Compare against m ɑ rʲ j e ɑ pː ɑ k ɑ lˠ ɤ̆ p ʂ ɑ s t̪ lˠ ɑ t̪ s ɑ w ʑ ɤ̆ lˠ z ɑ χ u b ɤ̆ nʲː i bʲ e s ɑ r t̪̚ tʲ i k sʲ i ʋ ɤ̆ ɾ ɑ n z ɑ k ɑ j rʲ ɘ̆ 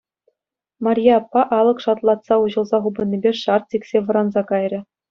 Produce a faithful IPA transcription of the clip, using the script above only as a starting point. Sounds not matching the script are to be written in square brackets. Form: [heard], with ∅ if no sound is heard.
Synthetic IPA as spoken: m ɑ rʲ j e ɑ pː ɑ [ʔ] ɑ lˠ ɤ̆ [k] ʂ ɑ [∅] t̪ lˠ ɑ t̪ s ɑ [u] ʑ ɤ̆ lˠ z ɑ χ u b ɤ̆ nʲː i bʲ e [ʂ] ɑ r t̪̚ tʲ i k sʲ [e] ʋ ɤ̆ ɾ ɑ n z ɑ k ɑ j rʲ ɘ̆